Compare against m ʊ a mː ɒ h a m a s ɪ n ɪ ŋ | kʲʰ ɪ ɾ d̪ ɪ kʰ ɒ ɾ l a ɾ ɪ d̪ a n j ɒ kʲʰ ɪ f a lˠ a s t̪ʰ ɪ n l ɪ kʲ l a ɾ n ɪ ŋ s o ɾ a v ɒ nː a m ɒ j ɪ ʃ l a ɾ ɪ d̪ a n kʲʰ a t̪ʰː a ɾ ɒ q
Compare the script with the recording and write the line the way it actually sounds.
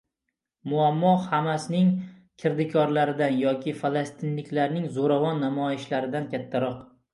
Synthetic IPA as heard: m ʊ a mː ɒ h a m a s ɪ n ɪ ŋ | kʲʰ ɪ ɾ d̪ ɪ kʰ ɒ ɾ l a ɾ ɪ d̪ a n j ɒ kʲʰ ɪ f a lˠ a s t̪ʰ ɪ n l ɪ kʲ l a ɾ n ɪ ŋ z o ɾ a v ɒ nː a m ɒ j ɪ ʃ l a ɾ ɪ d̪ a n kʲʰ a t̪ʰː a ɾ ɒ q